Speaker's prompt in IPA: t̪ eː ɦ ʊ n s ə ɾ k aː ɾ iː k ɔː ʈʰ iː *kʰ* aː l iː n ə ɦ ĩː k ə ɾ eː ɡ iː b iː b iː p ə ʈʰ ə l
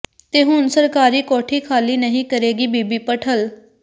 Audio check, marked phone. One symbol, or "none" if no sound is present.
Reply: kʰ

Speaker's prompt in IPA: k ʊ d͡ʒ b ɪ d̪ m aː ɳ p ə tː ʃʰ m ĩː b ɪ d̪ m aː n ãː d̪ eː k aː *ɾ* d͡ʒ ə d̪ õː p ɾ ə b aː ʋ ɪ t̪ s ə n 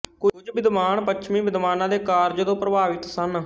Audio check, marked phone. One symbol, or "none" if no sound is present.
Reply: ɾ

